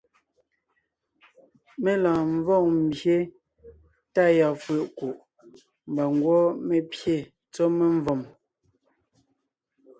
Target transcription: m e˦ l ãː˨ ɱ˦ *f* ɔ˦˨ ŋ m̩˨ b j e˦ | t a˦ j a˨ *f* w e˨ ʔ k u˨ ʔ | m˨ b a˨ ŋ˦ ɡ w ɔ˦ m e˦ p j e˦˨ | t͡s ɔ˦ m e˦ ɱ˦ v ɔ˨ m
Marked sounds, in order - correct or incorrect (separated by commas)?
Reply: incorrect, correct